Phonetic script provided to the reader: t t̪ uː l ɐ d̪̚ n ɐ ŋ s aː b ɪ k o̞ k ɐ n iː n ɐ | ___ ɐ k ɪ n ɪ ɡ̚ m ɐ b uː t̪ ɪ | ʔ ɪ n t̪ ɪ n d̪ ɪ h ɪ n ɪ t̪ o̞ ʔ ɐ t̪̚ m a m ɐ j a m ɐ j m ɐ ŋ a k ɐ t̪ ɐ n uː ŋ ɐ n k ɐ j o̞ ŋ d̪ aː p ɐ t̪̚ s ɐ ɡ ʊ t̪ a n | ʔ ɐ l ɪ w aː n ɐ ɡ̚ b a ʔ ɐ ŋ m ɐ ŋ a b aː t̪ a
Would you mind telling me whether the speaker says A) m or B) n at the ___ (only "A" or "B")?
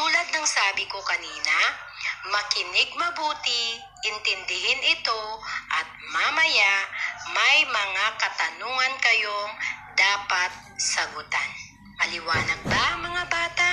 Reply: A